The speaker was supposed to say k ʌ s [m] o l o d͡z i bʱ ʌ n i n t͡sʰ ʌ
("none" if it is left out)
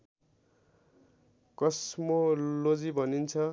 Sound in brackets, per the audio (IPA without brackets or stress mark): m